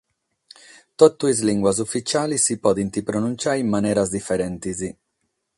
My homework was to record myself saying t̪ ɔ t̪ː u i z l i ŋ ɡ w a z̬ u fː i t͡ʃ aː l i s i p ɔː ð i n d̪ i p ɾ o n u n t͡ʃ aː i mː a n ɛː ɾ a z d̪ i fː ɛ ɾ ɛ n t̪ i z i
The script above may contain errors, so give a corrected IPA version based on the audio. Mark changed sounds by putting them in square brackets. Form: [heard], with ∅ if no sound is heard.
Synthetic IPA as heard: t̪ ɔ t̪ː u i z l i ŋ ɡ w a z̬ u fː i t͡ʃ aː l i s i p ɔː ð i n [t̪] i p ɾ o n u n t͡ʃ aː i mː a n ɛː ɾ a z d̪ i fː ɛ ɾ ɛ n t̪ i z i